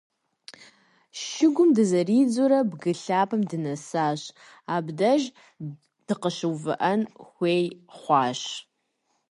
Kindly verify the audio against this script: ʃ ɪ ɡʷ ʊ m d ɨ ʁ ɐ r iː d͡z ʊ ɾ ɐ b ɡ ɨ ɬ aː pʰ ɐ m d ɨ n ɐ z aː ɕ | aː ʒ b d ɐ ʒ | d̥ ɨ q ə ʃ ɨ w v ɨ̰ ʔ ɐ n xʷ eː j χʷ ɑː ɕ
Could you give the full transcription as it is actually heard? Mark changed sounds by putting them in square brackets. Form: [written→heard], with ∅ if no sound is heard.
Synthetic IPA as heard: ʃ ɪ ɡʷ ʊ m d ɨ [ʁ→z] ɐ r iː d͡z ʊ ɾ ɐ b ɡ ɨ ɬ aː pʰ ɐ m d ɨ n ɐ [z→s] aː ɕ | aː [ʒ→∅] b d ɐ ʒ | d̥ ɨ q ə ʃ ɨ w v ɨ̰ ʔ ɐ n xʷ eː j χʷ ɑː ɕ